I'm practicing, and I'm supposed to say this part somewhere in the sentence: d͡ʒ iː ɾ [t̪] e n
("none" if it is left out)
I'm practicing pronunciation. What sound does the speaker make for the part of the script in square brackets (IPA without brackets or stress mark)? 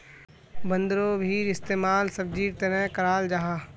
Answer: t̪